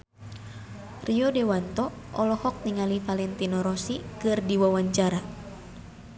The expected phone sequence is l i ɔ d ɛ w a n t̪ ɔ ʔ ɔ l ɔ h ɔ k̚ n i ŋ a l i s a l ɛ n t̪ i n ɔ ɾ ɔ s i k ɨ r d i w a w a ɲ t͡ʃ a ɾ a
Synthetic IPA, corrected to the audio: r i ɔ d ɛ w a n t̪ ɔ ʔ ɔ l ɔ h ɔ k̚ n i ŋ a l i f a l ɛ n t̪ i n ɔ ɾ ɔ s i k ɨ r d i w a w a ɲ t͡ʃ a ɾ a